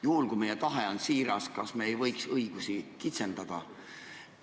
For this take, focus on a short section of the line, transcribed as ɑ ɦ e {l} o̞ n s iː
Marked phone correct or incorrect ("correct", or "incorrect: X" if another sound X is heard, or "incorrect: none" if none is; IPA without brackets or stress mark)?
incorrect: none